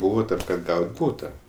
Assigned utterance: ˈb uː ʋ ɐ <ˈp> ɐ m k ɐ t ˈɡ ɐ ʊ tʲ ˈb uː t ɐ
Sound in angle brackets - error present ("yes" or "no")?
yes